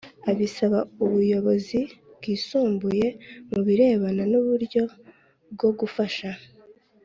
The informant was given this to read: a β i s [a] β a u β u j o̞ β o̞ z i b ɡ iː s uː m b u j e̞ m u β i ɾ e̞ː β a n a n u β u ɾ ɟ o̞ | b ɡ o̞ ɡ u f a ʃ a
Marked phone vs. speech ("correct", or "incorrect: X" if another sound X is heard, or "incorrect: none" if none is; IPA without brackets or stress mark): correct